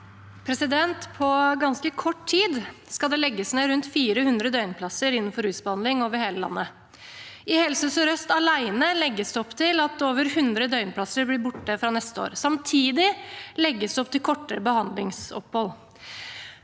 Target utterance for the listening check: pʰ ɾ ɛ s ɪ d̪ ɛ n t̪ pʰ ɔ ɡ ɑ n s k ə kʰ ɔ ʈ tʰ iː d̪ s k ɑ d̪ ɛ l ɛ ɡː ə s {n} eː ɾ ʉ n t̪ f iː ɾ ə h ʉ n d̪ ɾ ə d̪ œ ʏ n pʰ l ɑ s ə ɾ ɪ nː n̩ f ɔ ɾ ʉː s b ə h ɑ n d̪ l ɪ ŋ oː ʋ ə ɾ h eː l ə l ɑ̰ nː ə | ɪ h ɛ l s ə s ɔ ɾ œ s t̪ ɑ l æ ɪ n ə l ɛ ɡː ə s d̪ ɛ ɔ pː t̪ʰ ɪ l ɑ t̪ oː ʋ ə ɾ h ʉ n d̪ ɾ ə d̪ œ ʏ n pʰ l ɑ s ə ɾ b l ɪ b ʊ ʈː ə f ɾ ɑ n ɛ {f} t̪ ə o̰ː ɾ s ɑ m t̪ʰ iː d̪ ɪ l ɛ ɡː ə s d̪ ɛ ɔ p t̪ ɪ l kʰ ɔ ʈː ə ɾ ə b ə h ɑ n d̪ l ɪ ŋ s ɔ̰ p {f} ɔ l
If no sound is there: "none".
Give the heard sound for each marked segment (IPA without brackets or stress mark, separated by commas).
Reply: n, s, h